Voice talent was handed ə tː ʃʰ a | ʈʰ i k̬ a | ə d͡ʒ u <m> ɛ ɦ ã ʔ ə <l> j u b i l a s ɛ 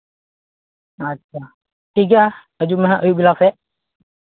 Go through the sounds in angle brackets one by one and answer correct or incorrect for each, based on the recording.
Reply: correct, incorrect: none

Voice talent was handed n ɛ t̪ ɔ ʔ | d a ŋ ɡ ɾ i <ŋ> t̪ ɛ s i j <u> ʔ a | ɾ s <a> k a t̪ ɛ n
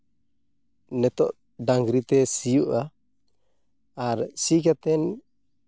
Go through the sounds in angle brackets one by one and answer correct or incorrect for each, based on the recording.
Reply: incorrect: none, correct, incorrect: i

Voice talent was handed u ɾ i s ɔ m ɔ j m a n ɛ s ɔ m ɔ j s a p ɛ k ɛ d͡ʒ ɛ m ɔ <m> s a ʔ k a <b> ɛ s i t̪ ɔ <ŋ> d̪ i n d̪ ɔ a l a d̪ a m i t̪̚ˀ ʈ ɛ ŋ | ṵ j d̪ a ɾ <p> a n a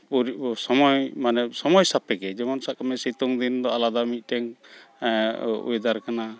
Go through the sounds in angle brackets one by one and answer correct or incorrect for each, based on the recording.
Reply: incorrect: n, incorrect: m, correct, incorrect: k

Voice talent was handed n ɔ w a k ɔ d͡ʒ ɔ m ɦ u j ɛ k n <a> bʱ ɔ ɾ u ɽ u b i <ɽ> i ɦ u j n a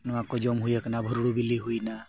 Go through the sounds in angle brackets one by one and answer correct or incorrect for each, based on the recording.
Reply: correct, incorrect: l

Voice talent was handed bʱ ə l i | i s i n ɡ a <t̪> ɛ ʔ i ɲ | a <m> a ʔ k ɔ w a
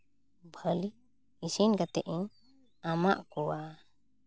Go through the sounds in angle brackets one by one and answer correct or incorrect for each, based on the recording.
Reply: correct, correct

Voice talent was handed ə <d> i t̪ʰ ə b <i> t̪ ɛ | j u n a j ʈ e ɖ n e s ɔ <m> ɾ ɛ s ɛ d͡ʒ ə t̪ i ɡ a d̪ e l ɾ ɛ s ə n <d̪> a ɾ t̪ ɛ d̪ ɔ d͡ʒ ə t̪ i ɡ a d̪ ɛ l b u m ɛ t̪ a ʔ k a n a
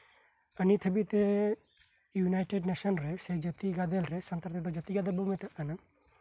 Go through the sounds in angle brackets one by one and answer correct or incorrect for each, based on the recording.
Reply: incorrect: n, correct, incorrect: n, incorrect: t̪

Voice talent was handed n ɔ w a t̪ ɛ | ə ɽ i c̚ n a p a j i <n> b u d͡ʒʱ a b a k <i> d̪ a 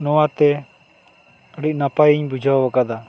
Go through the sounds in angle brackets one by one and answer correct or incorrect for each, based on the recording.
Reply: incorrect: ɲ, incorrect: a

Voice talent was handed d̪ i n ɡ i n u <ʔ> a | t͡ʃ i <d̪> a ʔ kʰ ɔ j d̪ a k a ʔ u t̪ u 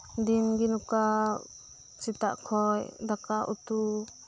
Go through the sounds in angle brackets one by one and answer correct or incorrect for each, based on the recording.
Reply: incorrect: k, incorrect: t̪

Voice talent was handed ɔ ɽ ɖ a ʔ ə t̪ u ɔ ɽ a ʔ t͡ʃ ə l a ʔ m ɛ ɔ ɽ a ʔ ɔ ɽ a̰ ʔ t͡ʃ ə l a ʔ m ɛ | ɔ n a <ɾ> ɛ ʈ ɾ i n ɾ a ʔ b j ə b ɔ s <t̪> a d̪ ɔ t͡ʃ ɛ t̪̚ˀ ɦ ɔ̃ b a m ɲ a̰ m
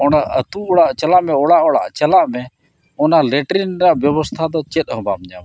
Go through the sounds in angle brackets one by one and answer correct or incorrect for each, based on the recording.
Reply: incorrect: l, incorrect: t̪ʰ

